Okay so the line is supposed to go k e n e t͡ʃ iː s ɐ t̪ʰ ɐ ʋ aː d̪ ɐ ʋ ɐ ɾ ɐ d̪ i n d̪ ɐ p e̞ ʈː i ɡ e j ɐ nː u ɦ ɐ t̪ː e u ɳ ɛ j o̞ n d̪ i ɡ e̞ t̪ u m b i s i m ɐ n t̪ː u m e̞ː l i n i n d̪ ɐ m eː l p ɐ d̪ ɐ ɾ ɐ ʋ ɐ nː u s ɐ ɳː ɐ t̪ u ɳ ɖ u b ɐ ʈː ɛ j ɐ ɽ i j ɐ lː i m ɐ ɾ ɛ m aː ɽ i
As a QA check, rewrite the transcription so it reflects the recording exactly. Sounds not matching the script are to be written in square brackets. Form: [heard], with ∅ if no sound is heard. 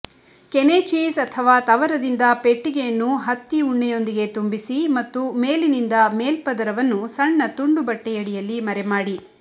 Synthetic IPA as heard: k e n e t͡ʃ iː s ɐ t̪ʰ ɐ ʋ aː [t̪] ɐ ʋ ɐ ɾ ɐ d̪ i n d̪ ɐ p e̞ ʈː i ɡ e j ɐ nː u ɦ ɐ t̪ː [i] u [ɳː] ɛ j o̞ n d̪ i ɡ e̞ t̪ u m b i s i m ɐ [∅] t̪ː u m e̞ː l i n i n d̪ ɐ m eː l p ɐ d̪ ɐ ɾ ɐ ʋ ɐ nː u s ɐ ɳː ɐ t̪ u ɳ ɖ u b ɐ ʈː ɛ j ɐ ɽ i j ɐ lː i m ɐ ɾ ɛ m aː ɽ i

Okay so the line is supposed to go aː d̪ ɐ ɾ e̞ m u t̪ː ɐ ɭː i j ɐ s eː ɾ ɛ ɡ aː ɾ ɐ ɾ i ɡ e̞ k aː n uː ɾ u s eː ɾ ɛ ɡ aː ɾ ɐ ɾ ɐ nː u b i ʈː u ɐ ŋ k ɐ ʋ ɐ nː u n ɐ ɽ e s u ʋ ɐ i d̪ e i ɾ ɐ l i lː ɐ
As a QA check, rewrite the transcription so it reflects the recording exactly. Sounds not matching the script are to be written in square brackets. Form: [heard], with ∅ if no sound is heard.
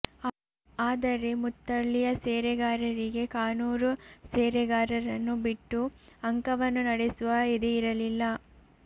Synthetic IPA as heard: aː d̪ ɐ ɾ e̞ m u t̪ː ɐ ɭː i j ɐ s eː ɾ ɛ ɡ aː ɾ ɐ ɾ i ɡ e̞ k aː n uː ɾ u s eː ɾ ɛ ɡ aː ɾ ɐ ɾ ɐ nː u b i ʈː u ɐ ŋ k ɐ ʋ ɐ nː u n ɐ ɽ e s u ʋ ɐ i d̪ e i ɾ ɐ l i lː ɐ

